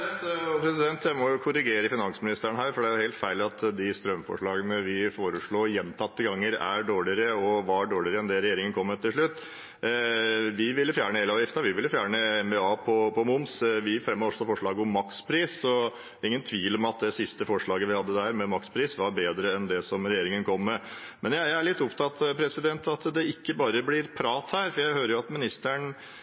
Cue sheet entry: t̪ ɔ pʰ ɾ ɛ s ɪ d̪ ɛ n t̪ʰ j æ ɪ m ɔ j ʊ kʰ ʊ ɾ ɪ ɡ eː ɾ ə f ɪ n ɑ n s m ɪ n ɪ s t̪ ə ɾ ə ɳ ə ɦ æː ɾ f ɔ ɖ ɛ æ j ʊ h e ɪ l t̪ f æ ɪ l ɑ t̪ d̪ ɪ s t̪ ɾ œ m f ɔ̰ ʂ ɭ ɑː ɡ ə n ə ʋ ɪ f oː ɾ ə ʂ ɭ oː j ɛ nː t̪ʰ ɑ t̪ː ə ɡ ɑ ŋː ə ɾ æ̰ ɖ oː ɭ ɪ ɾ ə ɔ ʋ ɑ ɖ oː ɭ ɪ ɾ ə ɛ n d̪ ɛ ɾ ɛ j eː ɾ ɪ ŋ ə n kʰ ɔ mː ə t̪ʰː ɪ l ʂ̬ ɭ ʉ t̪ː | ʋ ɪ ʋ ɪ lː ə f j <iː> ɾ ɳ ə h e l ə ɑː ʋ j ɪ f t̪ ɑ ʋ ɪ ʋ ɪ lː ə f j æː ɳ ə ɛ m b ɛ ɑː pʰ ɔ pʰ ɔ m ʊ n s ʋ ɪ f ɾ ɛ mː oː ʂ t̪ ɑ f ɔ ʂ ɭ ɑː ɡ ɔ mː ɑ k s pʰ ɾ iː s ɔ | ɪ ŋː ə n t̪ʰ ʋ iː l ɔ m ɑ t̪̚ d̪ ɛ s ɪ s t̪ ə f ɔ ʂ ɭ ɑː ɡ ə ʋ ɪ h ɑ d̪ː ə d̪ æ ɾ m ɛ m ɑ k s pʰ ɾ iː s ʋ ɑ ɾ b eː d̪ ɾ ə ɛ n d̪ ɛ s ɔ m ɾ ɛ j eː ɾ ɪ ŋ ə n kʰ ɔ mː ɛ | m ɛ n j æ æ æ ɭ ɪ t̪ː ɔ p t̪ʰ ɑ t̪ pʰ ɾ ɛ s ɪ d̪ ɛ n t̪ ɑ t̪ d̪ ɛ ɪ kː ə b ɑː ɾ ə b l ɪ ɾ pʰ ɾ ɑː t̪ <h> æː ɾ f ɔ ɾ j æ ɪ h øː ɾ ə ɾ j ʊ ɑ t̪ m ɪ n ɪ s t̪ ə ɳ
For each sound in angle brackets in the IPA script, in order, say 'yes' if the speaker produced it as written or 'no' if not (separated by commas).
no, yes